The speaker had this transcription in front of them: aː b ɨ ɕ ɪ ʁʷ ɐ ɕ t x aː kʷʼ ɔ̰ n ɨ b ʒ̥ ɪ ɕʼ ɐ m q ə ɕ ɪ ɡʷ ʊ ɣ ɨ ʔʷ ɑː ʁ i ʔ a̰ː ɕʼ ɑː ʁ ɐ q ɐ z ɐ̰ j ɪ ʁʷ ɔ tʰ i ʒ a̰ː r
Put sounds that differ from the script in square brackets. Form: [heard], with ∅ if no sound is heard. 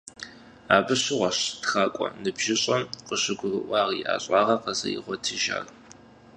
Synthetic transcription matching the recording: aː b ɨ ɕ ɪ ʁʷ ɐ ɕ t x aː kʷʼ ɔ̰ n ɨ b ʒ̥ ɪ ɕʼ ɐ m q ə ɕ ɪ ɡʷ ʊ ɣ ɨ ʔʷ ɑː ʁ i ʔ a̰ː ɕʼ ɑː ʁ ɐ q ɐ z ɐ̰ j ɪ ʁʷ ɔ tʰ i ʒ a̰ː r